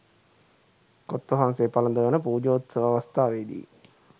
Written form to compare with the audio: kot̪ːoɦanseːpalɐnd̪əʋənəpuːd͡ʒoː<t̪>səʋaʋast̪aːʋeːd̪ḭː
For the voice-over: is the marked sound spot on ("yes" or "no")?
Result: yes